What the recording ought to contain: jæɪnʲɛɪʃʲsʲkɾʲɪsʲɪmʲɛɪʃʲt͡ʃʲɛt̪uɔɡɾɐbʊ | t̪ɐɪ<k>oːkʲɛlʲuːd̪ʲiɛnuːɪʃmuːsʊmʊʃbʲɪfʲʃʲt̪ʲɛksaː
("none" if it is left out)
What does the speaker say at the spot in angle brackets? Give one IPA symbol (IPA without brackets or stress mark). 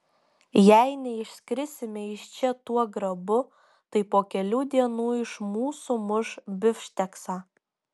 p